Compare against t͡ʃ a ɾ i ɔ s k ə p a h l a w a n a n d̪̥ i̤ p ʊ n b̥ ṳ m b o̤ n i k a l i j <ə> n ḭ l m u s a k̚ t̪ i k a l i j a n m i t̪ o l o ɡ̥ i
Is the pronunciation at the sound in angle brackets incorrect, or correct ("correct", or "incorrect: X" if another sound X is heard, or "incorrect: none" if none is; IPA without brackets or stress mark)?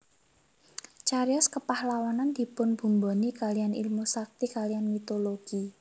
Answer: incorrect: a